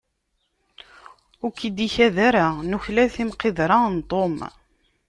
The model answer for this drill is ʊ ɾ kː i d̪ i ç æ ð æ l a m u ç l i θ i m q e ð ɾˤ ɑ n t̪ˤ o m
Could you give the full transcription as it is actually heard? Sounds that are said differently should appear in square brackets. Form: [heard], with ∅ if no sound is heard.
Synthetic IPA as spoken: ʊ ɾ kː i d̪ i ç æ ð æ [ɾ] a [n] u ç l [æ] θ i m q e ð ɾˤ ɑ n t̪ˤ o m